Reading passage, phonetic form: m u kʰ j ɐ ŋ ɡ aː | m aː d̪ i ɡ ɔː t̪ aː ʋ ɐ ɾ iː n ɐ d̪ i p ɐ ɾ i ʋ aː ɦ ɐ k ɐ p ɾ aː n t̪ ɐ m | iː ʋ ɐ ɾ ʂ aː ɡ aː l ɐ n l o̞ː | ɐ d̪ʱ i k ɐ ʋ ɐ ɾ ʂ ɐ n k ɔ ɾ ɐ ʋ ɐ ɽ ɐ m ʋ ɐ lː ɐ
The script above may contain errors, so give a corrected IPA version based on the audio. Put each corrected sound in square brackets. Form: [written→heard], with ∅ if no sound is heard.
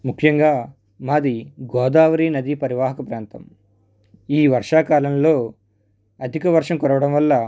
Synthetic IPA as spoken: m u kʰ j ɐ ŋ ɡ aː | m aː d̪ i ɡ ɔː [t̪→d̪] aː ʋ ɐ ɾ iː n ɐ d̪ i p ɐ ɾ i ʋ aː ɦ ɐ k ɐ p ɾ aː n t̪ ɐ m | iː ʋ ɐ ɾ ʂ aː [ɡ→k] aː l ɐ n l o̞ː | ɐ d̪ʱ i k ɐ ʋ ɐ ɾ ʂ ɐ [n→m] k ɔ ɾ ɐ ʋ ɐ ɽ ɐ m ʋ ɐ lː ɐ